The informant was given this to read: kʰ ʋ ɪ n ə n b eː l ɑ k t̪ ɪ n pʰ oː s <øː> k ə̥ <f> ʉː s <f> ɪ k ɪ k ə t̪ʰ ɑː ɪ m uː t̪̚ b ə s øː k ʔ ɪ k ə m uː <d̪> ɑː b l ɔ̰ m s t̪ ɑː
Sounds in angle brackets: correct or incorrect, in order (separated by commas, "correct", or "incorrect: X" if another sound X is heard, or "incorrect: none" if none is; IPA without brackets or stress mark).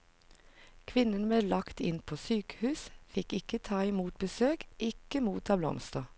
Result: incorrect: yː, incorrect: h, correct, incorrect: t̪